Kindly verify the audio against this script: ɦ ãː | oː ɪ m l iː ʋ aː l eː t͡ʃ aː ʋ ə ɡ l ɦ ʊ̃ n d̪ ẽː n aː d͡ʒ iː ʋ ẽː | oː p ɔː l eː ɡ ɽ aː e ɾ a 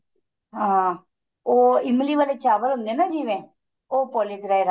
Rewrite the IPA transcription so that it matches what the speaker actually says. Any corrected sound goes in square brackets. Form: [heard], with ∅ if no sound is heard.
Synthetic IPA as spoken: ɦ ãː | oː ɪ m l iː ʋ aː l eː t͡ʃ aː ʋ ə [∅] l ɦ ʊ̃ n d̪ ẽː n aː d͡ʒ iː ʋ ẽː | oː p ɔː l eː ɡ [ɾ] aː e ɾ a